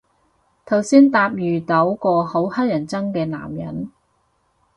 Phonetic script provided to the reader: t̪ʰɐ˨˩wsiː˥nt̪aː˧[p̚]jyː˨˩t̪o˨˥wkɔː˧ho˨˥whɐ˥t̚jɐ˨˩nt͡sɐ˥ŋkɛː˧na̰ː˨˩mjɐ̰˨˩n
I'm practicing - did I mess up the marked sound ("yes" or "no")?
no